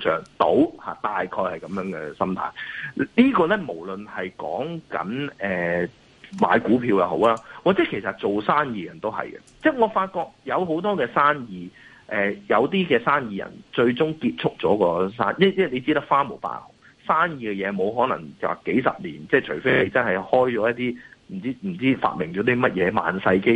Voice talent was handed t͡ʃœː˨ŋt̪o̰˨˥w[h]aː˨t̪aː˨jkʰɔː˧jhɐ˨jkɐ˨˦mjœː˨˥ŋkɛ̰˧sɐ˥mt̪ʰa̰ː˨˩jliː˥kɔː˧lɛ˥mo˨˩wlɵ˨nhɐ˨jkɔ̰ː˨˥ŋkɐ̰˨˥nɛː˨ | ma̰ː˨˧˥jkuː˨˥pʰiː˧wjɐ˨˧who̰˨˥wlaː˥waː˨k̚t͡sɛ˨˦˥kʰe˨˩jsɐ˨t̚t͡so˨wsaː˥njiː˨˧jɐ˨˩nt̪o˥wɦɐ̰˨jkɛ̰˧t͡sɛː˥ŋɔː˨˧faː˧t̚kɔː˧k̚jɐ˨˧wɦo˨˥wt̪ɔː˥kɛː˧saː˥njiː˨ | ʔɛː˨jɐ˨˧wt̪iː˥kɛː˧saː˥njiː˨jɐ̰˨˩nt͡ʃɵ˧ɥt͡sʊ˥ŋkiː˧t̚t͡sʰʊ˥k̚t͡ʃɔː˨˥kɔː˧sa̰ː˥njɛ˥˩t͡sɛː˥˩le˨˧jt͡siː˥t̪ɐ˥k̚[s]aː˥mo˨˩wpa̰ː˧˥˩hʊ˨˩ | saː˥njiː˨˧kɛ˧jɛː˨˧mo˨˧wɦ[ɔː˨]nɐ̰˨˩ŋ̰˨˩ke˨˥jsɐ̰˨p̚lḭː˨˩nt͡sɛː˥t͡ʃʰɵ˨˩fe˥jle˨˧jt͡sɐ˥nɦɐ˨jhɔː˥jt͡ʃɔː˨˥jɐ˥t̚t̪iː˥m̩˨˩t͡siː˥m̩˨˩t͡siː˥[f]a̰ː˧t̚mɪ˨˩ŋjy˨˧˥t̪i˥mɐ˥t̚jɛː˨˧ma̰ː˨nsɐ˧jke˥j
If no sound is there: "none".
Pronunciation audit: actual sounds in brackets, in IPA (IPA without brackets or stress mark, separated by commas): h, f, ɔː˨˥, f